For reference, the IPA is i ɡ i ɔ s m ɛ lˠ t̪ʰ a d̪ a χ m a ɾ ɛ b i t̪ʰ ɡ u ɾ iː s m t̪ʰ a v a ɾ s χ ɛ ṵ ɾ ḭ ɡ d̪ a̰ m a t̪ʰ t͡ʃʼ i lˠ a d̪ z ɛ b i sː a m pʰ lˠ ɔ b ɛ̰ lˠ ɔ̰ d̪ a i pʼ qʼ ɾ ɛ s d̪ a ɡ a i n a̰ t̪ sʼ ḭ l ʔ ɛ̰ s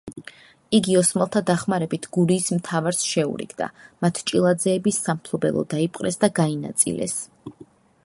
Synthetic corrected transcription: i ɡ i ɔ s m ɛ lˠ t̪ʰ a d̪ a χ m a ɾ ɛ b i t̪ʰ ɡ u ɾ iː s m t̪ʰ a v a ɾ s ʃ ɛ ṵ ɾ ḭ ɡ d̪ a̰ m a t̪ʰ t͡ʃʼ i lˠ a d̪ z ɛː b i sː a m pʰ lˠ ɔ b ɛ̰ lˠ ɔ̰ d̪ a i pʼ qʼ ɾ ɛ s d̪ a ɡ a i n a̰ t̪ sʼ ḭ l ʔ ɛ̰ s